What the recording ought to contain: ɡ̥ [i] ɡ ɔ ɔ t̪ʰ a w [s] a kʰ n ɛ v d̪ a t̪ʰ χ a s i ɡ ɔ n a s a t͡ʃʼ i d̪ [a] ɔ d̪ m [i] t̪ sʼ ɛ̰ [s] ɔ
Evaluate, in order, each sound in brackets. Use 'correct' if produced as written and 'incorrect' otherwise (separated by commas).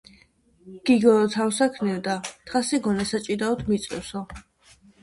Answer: correct, correct, correct, correct, correct